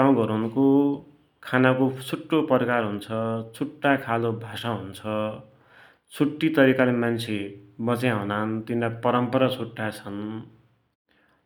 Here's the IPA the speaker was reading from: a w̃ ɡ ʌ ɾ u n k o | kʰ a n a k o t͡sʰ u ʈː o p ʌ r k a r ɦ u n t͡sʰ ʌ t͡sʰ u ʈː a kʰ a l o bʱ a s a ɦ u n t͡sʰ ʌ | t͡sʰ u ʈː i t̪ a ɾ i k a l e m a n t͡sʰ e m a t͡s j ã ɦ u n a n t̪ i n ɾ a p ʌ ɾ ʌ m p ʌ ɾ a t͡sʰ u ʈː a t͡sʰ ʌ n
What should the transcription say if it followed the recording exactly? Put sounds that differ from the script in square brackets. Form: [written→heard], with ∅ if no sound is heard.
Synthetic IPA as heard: a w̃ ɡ ʌ ɾ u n k o | kʰ a n a k o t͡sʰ u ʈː o p ʌ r k a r ɦ u n t͡sʰ ʌ t͡sʰ u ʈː a kʰ a l o bʱ a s a ɦ u n t͡sʰ ʌ | t͡sʰ u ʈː i t̪ [a→ʌ] ɾ i k a l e m a n t͡sʰ e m [a→ʌ] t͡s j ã ɦ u n a n t̪ i n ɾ a p ʌ ɾ ʌ m p ʌ ɾ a t͡sʰ u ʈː a t͡sʰ ʌ n

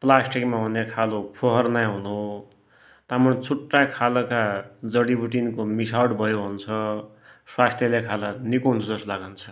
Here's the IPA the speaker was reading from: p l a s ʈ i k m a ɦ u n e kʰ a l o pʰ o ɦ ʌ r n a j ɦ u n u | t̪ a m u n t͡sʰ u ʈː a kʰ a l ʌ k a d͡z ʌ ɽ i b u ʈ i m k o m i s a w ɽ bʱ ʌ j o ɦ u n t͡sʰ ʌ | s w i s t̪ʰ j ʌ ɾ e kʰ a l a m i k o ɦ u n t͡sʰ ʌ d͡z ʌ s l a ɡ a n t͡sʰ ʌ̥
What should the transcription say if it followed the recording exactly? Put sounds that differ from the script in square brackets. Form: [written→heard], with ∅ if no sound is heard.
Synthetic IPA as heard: p l a s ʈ i k m a ɦ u n e kʰ a l o pʰ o ɦ ʌ r n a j ɦ u n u | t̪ a m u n t͡sʰ u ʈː a kʰ a l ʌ k a d͡z ʌ ɽ i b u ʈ i [m→n] k o m i s a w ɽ bʱ ʌ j o ɦ u n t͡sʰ ʌ | s w [i→a] s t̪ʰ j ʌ [ɾ→l] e kʰ a l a [m→n] i k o ɦ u n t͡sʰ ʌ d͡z ʌ s l a ɡ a n t͡sʰ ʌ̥

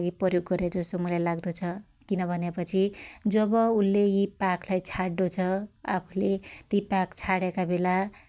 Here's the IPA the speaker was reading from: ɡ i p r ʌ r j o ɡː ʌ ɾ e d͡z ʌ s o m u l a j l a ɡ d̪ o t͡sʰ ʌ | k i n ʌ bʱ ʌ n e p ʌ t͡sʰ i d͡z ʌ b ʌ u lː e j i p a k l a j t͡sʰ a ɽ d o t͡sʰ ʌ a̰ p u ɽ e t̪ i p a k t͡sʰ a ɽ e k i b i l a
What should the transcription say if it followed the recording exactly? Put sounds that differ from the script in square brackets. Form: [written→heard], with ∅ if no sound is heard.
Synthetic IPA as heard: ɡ i p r ʌ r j o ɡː ʌ ɾ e d͡z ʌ s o m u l a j l a ɡ d̪ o t͡sʰ ʌ | k i n ʌ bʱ ʌ n e p ʌ t͡sʰ i d͡z ʌ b ʌ u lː e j i p a k l a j t͡sʰ a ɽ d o t͡sʰ ʌ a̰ [p→pʰ] u [ɽ→l] e t̪ i p a k t͡sʰ a ɽ e k [i→a] b [i→e] l a

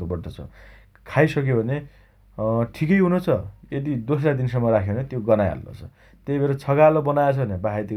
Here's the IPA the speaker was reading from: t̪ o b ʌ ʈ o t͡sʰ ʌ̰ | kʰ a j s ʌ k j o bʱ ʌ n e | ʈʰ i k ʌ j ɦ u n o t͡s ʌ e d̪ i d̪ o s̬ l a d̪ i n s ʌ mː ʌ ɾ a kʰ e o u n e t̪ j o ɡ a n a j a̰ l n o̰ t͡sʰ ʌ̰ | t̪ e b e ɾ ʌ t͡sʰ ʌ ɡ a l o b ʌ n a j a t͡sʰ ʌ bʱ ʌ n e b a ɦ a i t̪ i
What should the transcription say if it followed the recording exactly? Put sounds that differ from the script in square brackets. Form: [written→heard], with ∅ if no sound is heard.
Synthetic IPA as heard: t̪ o b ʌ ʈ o t͡sʰ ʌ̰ | kʰ a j s ʌ k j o bʱ ʌ n e | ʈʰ i k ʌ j ɦ u n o [t͡s→t͡sʰ] ʌ e d̪ i d̪ o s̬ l a d̪ i n s ʌ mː ʌ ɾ a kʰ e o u n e t̪ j o ɡ [a→ʌ] n a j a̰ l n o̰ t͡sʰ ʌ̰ | t̪ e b e ɾ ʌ t͡sʰ ʌ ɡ a l o b ʌ n a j a t͡sʰ ʌ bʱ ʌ n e b a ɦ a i t̪ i

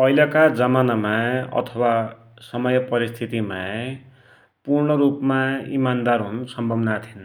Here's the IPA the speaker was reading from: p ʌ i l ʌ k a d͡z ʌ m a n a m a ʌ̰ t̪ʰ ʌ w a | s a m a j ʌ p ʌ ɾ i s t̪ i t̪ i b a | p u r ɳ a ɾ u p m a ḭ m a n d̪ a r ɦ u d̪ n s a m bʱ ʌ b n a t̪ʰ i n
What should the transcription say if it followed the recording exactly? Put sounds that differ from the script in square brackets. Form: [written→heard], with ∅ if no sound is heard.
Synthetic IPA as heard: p ʌ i l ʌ k a d͡z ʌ m a n a m a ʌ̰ t̪ʰ ʌ w a | s [a→ʌ] m [a→ʌ] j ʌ p ʌ ɾ i s [t̪→t̪ʰ] i t̪ i [b→m] a | p u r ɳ [a→ʌ] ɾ u p m a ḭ m a n d̪ a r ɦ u [d̪→∅] n s [a→ʌ] m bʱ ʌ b n a t̪ʰ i n

